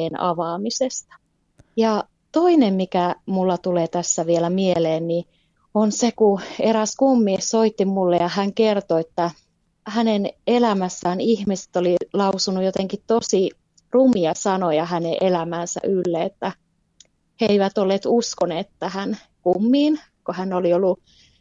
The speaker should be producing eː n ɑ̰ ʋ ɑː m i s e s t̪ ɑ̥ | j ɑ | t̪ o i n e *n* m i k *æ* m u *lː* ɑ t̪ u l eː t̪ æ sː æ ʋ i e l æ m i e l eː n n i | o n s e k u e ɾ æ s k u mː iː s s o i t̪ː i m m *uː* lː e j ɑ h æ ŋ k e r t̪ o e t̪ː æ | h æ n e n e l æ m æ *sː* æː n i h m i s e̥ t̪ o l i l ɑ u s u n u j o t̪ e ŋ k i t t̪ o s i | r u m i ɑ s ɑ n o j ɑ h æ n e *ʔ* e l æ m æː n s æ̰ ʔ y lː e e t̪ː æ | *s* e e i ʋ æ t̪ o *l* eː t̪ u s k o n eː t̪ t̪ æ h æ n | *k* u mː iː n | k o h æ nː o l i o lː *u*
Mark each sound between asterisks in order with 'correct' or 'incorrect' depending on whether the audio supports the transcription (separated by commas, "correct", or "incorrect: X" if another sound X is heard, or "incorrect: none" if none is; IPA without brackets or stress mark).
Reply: incorrect: m, correct, correct, incorrect: u, correct, correct, incorrect: h, incorrect: lː, correct, correct